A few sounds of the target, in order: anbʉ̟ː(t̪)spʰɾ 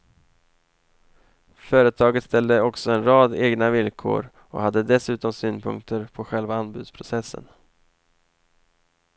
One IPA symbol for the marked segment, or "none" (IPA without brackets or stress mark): d̪